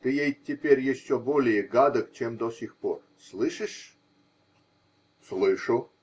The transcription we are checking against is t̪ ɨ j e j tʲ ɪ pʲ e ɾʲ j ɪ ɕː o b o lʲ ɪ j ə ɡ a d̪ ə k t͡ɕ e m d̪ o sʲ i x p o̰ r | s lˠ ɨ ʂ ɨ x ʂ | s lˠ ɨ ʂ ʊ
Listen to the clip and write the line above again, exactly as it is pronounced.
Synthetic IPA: t̪ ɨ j e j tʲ ɪ pʲ e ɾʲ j ɪ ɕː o b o lʲ ɪ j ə ɡ a d̪ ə k t͡ɕ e m d̪ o sʲ i x p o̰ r | s lˠ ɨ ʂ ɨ ʂ | s lˠ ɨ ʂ ʊ